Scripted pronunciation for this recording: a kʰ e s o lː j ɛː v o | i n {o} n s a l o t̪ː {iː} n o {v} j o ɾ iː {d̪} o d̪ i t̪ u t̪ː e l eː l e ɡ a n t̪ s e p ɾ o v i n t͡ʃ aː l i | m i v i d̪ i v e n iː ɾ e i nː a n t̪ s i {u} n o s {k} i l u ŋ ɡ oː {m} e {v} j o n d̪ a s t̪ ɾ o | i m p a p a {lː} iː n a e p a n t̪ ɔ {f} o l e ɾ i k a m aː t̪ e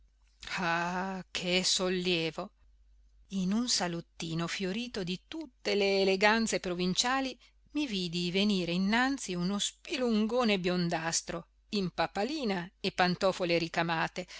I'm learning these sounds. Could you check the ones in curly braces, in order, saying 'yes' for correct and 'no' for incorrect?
no, yes, no, no, yes, no, no, no, no, yes

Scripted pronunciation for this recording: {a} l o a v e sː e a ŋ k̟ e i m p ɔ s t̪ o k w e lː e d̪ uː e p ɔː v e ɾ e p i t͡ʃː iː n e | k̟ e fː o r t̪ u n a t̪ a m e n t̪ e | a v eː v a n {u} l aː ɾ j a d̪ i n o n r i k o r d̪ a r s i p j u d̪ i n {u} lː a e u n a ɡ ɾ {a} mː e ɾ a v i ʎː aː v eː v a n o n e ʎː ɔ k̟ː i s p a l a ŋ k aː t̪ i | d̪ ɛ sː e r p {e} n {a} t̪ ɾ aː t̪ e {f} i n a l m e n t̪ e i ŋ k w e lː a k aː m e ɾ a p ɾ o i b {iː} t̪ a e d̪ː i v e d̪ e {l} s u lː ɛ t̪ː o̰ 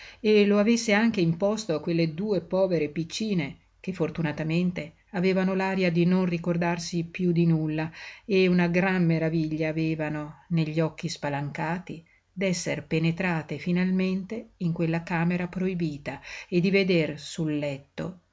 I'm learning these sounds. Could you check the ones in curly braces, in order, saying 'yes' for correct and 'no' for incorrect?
no, no, yes, yes, yes, no, yes, yes, no

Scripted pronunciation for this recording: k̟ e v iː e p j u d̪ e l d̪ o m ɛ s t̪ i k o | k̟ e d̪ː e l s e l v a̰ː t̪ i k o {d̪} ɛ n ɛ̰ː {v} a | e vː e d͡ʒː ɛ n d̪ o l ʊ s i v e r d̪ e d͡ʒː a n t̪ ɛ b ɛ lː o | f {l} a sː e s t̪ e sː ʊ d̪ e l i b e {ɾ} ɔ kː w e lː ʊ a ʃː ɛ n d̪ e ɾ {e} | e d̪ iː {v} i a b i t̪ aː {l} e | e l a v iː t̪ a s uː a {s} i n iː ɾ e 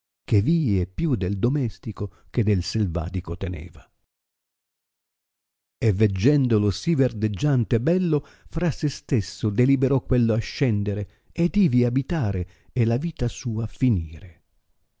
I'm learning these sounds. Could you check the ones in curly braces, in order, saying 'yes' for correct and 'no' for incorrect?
no, yes, no, yes, yes, yes, no, no

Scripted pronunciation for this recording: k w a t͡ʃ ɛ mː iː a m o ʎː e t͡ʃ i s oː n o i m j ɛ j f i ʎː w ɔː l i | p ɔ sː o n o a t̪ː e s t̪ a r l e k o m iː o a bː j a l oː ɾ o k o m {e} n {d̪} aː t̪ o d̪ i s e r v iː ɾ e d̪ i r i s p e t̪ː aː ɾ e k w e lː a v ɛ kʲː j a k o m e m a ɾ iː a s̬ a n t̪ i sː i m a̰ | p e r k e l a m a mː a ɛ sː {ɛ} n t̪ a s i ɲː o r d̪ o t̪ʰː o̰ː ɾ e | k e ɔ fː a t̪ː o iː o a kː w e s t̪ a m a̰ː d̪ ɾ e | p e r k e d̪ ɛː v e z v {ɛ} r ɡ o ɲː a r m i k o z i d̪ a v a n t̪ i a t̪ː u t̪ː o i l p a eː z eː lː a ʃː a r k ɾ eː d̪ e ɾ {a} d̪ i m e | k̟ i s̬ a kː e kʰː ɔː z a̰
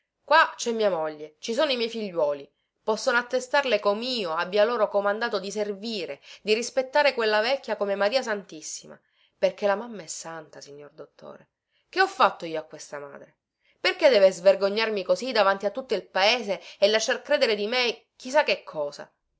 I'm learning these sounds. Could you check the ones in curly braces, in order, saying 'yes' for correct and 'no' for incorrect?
no, yes, no, no, no

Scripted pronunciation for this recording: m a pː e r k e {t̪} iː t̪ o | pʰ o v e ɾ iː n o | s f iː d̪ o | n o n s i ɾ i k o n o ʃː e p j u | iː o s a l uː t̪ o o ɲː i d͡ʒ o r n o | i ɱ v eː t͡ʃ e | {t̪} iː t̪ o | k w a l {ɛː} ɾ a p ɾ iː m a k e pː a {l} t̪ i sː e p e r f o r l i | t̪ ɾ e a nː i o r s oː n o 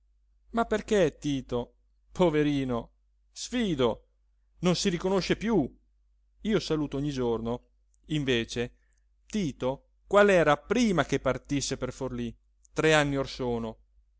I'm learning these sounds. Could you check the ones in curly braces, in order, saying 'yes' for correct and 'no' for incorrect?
yes, yes, yes, no

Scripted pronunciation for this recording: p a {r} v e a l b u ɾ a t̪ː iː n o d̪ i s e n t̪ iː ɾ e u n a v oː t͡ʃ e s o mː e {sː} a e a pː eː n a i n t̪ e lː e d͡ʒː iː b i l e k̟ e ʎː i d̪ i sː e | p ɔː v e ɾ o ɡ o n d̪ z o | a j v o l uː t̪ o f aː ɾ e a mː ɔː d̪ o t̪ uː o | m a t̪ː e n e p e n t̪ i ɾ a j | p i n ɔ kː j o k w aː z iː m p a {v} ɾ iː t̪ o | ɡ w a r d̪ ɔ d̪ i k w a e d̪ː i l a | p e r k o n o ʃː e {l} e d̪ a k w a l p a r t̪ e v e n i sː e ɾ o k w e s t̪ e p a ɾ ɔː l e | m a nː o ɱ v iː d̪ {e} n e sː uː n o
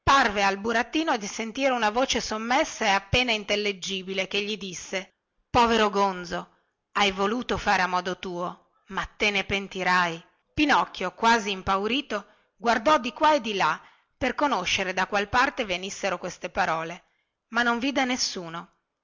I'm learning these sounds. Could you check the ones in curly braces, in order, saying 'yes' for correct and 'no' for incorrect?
yes, yes, no, no, yes

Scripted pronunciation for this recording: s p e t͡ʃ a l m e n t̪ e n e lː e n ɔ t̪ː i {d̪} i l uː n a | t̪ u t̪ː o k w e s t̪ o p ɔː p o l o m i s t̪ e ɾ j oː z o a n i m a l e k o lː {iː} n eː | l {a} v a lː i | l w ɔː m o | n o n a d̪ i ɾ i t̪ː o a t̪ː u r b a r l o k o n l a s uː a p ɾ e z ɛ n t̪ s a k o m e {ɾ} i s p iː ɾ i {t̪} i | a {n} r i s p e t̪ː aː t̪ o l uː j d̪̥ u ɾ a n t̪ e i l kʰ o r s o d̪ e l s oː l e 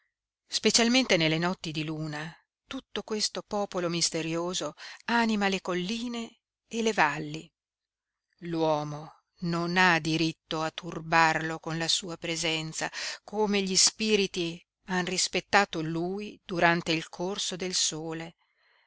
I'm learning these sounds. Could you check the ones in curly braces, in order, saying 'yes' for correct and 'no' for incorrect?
yes, yes, no, no, yes, yes

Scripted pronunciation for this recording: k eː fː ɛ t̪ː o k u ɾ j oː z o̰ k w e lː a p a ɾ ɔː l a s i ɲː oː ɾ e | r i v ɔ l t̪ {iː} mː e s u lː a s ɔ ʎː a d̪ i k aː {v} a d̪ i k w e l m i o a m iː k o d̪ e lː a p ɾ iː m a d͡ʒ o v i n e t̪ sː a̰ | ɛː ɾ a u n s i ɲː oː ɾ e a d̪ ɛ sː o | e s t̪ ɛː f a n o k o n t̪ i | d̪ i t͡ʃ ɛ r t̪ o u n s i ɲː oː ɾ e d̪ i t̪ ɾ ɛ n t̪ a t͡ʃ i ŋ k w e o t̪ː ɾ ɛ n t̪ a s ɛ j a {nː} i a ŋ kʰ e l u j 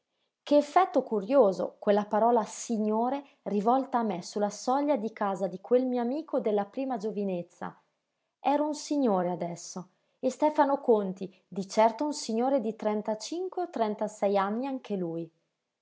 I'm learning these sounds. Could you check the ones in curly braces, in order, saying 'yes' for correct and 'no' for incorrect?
no, no, yes

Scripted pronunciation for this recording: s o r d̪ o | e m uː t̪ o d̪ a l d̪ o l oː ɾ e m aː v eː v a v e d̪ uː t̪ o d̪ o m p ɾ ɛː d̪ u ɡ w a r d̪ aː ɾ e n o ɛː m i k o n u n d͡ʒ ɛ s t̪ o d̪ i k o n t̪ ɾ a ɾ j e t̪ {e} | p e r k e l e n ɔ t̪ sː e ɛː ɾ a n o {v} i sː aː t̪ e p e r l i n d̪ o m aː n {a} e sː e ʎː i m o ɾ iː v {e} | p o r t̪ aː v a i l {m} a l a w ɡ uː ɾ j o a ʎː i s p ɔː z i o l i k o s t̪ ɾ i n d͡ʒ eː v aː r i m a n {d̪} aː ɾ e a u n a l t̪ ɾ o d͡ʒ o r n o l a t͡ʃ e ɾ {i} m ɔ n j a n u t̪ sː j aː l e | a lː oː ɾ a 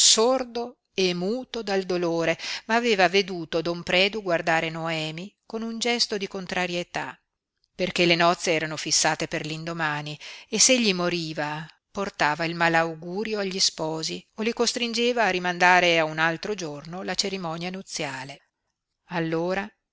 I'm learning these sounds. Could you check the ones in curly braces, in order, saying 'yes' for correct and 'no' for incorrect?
no, no, no, no, yes, yes, yes

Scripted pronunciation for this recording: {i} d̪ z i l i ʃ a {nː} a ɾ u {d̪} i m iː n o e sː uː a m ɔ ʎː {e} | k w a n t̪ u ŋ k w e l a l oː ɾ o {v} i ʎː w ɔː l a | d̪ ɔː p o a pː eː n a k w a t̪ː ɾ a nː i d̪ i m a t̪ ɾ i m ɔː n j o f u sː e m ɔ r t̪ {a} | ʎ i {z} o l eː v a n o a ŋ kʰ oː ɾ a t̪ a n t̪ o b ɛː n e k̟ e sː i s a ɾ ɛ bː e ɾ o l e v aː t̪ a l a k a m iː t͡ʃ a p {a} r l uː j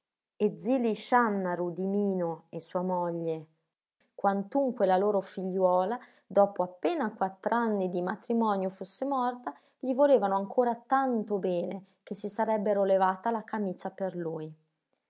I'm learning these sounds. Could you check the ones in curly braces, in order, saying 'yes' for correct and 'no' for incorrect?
no, yes, yes, yes, no, yes, no, no

